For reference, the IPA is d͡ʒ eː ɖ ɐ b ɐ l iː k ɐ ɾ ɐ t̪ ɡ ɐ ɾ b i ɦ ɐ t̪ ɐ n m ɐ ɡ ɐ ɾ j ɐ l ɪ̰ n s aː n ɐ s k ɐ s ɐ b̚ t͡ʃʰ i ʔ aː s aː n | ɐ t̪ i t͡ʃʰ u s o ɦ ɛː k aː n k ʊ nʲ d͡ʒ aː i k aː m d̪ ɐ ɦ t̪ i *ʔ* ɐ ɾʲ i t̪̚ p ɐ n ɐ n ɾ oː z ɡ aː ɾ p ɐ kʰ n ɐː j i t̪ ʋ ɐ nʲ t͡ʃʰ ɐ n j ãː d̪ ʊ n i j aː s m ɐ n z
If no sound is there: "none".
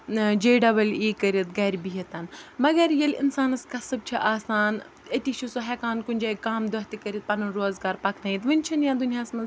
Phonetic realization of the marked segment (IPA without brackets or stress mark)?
k